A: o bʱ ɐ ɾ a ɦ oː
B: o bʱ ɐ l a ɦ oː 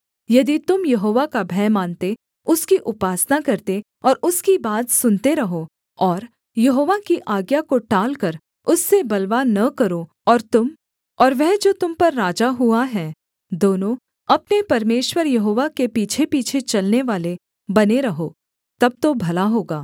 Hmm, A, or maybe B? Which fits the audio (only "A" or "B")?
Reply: B